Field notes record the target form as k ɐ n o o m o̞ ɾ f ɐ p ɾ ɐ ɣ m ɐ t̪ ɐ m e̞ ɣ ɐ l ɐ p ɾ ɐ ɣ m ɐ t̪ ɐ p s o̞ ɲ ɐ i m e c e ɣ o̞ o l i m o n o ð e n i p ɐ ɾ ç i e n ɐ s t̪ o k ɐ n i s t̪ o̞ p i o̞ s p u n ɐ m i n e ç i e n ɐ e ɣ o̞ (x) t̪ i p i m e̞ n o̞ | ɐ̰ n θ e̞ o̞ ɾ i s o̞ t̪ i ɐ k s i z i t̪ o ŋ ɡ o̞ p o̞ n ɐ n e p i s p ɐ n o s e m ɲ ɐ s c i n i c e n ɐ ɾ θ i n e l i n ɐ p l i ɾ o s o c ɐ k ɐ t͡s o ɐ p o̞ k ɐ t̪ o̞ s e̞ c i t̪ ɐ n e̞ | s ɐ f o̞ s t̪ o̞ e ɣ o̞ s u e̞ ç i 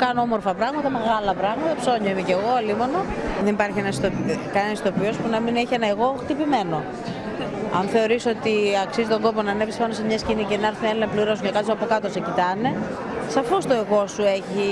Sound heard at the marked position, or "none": x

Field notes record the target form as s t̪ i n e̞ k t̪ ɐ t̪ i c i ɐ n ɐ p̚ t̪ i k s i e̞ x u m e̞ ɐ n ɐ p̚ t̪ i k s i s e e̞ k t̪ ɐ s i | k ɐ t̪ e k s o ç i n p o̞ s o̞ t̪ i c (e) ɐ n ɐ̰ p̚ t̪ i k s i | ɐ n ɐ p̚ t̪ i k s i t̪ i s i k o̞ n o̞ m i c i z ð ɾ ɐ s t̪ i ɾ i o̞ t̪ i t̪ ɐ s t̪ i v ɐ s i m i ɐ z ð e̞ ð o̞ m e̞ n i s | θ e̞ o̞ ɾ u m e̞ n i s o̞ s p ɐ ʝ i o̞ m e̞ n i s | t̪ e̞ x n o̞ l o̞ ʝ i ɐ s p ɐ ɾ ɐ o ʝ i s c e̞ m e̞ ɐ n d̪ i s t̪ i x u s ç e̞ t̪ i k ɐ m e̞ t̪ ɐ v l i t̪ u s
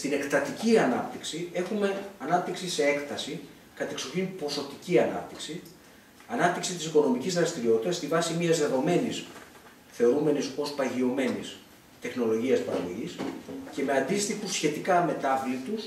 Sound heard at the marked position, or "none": i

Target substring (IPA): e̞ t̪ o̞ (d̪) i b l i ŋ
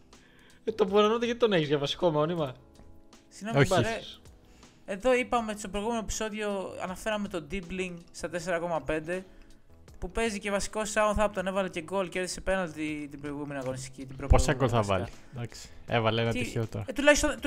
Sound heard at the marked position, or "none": d̪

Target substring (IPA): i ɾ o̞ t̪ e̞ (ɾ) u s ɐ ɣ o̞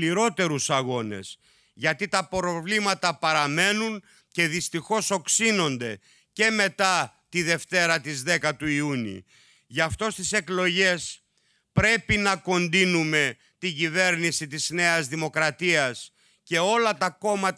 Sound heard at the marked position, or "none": ɾ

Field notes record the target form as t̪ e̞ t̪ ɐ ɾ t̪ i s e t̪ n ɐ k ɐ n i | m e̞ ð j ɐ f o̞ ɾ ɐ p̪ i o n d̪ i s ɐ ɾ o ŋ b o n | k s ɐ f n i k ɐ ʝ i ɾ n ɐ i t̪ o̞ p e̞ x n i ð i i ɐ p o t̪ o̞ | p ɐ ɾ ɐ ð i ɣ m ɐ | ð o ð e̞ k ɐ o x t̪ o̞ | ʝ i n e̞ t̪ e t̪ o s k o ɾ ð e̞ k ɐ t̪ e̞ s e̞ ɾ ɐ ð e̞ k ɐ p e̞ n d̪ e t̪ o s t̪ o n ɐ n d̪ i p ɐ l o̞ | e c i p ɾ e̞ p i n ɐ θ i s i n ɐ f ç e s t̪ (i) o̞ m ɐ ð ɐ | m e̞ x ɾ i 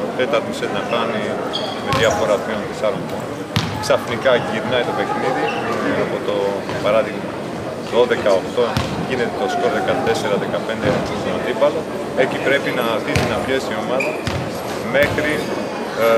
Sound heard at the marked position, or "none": i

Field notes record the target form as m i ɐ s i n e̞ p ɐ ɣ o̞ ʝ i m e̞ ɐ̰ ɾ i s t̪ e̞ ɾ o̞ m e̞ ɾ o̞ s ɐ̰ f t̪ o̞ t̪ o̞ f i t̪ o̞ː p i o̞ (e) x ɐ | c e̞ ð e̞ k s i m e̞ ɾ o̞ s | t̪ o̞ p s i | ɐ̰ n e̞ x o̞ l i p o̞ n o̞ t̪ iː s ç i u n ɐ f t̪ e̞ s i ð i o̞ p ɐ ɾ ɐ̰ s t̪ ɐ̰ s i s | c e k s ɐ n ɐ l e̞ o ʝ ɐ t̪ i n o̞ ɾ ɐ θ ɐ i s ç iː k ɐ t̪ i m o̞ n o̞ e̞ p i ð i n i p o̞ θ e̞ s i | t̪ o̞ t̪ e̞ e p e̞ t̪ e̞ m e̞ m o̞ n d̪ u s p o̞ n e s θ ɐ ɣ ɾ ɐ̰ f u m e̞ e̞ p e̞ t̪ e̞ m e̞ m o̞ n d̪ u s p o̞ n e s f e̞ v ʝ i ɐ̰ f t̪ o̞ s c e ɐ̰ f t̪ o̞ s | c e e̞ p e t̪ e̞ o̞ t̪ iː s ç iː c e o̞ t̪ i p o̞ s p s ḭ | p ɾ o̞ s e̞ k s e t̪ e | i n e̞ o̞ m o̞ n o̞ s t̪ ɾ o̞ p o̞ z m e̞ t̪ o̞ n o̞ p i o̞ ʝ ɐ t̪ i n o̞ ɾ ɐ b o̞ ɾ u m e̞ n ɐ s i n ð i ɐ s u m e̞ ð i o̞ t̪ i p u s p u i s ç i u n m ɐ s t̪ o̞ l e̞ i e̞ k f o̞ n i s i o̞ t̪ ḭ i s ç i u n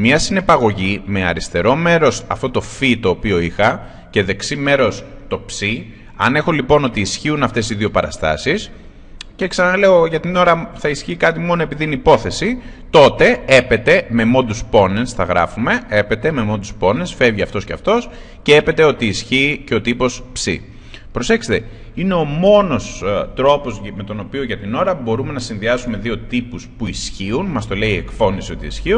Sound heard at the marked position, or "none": i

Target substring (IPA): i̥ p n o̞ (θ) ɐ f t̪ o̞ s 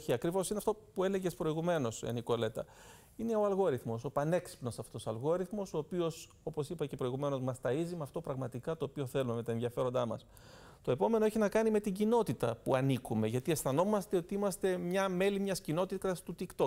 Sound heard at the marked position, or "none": s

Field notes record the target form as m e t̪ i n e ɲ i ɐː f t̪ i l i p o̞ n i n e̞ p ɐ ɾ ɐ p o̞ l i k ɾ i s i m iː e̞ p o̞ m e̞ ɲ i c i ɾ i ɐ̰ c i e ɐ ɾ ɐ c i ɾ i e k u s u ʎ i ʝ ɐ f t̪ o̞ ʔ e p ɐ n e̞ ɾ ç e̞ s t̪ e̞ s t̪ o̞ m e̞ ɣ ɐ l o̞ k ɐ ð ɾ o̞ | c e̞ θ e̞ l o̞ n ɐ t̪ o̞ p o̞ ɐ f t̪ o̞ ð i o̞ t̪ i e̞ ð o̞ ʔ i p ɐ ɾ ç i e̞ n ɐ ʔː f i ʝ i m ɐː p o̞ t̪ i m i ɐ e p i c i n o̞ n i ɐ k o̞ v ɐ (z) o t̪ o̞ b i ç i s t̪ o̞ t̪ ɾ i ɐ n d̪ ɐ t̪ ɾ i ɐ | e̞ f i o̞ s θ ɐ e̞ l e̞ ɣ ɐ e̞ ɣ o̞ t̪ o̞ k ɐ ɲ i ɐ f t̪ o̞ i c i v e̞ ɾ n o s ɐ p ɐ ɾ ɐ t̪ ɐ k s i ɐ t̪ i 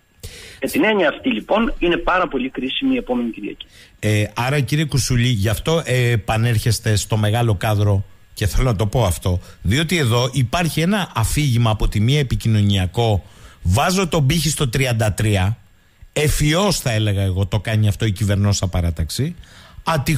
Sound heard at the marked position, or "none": z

